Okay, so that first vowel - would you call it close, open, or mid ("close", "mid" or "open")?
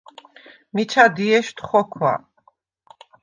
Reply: close